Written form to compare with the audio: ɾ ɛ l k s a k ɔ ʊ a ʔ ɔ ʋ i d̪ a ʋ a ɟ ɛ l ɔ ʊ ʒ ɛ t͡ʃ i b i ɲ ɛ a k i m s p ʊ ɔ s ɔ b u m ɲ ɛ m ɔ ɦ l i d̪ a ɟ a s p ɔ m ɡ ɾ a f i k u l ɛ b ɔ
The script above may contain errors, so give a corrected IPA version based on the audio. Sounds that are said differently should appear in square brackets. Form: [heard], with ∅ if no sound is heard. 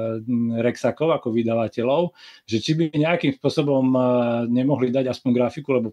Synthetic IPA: ɾ ɛ [∅] k s a k ɔ ʊ a [k] ɔ ʋ i d̪ a ʋ a [c] ɛ l ɔ ʊ ʒ ɛ t͡ʃ i b i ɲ ɛ a k i m s p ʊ ɔ s ɔ b [ɔ] m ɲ ɛ m ɔ ɦ l i d̪ a ɟ a s p ɔ [ɲ] ɡ ɾ a f i k u l ɛ b ɔ